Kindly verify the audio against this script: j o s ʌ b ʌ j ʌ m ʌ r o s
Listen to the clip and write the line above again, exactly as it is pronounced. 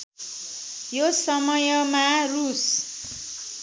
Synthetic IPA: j o s ʌ m ʌ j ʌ m a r u s